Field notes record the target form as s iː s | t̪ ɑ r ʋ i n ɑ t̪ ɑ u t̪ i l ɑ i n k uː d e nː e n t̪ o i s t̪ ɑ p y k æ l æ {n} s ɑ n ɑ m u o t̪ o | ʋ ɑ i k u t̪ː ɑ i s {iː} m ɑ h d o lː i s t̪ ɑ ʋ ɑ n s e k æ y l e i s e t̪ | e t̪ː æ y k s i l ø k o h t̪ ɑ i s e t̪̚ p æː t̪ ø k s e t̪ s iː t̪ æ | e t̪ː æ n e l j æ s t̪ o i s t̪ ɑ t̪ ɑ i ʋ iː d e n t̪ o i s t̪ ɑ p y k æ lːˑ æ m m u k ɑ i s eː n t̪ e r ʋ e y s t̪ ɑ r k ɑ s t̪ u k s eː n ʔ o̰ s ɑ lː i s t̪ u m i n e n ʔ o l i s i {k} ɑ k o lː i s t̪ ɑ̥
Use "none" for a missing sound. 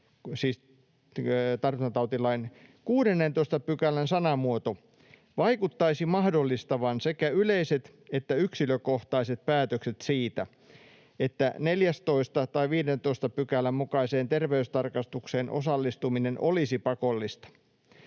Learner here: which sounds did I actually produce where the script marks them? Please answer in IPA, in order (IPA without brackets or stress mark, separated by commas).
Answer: n, i, p